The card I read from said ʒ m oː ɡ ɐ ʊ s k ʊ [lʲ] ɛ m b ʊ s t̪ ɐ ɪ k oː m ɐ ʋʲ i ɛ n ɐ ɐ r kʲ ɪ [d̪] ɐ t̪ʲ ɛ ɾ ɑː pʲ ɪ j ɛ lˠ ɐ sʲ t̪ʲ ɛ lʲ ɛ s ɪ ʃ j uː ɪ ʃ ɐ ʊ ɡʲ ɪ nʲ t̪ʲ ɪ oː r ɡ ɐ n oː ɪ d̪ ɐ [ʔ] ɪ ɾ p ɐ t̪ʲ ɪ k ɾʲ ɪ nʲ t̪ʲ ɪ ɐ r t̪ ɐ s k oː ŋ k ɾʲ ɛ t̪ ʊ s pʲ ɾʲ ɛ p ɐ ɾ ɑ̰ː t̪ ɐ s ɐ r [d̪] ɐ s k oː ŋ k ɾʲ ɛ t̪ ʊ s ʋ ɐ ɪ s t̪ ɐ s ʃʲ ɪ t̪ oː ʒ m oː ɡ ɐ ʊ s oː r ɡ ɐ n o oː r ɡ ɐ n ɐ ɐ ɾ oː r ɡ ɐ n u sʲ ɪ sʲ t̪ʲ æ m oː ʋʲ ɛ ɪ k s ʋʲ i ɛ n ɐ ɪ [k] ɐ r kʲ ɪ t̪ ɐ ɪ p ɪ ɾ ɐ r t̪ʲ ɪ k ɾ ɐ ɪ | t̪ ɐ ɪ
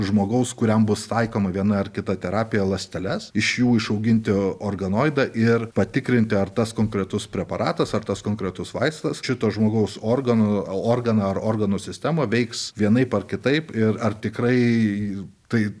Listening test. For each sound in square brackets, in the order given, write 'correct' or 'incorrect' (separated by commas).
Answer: incorrect, incorrect, correct, incorrect, incorrect